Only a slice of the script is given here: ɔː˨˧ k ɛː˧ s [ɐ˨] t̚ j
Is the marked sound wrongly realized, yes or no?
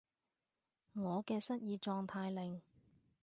yes